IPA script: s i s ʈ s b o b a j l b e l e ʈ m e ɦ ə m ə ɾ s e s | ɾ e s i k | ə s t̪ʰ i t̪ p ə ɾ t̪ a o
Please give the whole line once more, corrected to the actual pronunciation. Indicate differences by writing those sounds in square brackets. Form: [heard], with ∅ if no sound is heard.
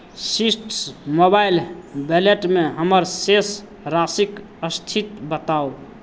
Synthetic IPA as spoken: s i s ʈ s [m] o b a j l b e l e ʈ m e ɦ ə m ə ɾ s e s | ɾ [a] s i k | ə s t̪ʰ i t̪ [b] ə [∅] t̪ a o